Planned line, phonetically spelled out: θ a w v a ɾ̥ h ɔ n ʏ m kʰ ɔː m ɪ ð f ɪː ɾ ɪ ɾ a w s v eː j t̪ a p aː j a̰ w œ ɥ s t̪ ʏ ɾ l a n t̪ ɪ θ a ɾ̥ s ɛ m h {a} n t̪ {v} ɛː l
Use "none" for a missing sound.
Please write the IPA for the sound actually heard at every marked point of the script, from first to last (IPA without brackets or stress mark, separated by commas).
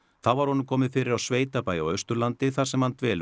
a, v